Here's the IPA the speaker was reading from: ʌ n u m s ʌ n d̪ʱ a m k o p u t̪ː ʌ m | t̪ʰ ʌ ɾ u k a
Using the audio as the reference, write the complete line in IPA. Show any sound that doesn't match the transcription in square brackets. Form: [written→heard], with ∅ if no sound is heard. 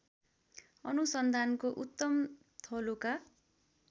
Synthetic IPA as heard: ʌ n u [m→∅] s ʌ n d̪ʱ a [m→n] k o [p→ʔ] u t̪ː ʌ m | t̪ʰ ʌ [ɾ→l] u k a